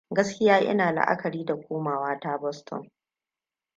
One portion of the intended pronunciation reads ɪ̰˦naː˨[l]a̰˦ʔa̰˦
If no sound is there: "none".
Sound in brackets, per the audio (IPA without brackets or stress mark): l